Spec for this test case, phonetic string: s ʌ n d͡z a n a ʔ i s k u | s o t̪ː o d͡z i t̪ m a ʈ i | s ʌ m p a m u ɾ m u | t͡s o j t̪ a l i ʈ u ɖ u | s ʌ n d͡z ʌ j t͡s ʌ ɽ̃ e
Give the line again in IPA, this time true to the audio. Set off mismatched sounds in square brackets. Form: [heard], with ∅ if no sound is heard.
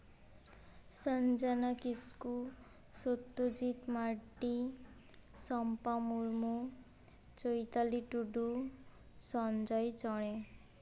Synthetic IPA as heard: s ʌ n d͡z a n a [k] i s k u | s o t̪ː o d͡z i t̪ m a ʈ i | s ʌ m p a m u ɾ m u | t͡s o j t̪ a l i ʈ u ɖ u | s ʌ n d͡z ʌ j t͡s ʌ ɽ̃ e